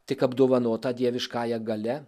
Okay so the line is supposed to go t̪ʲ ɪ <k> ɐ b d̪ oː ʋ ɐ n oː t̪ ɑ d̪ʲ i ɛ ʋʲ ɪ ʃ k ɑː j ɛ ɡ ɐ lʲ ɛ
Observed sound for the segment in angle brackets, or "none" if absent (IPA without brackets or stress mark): k